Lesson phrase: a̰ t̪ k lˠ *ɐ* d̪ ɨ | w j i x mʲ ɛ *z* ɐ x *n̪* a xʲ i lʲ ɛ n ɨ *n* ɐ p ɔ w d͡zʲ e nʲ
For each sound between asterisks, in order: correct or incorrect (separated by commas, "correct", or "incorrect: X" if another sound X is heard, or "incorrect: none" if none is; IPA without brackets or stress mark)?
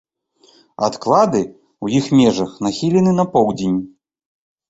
incorrect: a, incorrect: ʐ, correct, correct